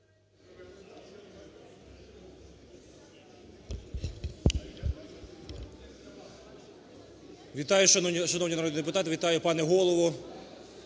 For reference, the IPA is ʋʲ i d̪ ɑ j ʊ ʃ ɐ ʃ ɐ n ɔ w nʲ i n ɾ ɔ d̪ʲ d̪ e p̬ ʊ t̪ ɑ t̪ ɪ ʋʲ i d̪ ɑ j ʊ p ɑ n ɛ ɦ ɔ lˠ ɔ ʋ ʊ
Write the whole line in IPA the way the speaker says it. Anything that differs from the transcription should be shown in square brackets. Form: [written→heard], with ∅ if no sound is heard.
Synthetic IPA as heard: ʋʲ i [d̪→t̪] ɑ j ʊ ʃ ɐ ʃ ɐ n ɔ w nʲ i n ɾ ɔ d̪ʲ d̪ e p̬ ʊ t̪ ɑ t̪ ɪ ʋʲ i [d̪→t̪] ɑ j ʊ p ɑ n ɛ ɦ ɔ lˠ ɔ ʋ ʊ